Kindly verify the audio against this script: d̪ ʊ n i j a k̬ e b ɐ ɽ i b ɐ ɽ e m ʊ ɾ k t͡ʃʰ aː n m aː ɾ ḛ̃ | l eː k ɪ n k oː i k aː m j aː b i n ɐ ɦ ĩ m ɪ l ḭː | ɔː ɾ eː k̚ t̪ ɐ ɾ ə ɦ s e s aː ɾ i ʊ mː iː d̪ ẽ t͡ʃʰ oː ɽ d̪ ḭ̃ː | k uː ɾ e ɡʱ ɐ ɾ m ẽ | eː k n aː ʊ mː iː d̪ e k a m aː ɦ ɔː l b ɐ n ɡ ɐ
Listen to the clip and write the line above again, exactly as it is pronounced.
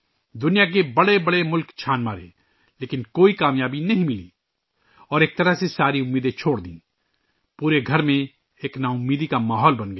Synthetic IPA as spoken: d̪ ʊ n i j a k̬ e b ɐ ɽ e b ɐ ɽ e m ʊ l k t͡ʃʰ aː n m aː ɾ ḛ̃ | l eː k ɪ n k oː i k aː m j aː b i n ɐ ɦ ĩ m ɪ l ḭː | ɔː ɾ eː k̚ t̪ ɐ ɾ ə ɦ s e s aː ɾ i ʊ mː iː d̪ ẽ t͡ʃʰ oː ɽ d̪ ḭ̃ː | p uː ɾ e ɡʱ ɐ ɾ m ẽ | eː k n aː ʊ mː iː d̪ i k a m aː ɦ ɔː l b ɐ n ɡ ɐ

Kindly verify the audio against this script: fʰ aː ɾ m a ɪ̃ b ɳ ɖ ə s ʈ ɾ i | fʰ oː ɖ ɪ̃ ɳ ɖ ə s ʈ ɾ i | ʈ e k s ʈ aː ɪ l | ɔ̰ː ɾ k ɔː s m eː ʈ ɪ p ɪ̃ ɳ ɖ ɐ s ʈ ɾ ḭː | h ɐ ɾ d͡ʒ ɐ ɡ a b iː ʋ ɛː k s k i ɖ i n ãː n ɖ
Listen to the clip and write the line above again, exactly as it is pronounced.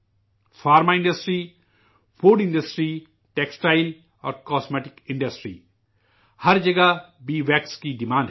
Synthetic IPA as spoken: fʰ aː ɾ m a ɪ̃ ɳ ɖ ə s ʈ ɾ i | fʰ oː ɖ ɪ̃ ɳ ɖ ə s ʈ ɾ i | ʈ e k s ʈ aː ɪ l | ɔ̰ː ɾ k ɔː s m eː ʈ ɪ k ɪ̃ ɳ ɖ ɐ s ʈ ɾ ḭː | h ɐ ɾ d͡ʒ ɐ ɡ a b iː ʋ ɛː k s k i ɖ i m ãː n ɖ

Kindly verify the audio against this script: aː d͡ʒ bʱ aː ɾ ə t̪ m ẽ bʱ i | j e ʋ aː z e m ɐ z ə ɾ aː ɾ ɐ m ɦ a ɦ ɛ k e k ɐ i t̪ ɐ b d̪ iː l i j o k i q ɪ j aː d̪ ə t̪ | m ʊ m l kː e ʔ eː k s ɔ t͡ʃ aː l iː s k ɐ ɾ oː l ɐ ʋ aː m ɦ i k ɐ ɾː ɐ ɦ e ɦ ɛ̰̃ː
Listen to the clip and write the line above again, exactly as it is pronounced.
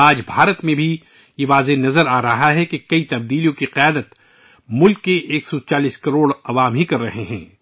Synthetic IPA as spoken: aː d͡ʒ bʱ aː ɾ ə t̪ m ẽ bʱ i | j e ʋ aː z e n ɐ z ə ɾ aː ɾ ɐ ɦ a ɦ ɛ k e k ɐ i t̪ ɐ b d̪ iː l i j õ k i q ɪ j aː d̪ ə t̪ | m ʊ l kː e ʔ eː k s ɔ t͡ʃ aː l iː s k ɐ ɾ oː ɽ ɐ ʋ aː m ɦ i k ɐ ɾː ɐ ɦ e ɦ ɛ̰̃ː

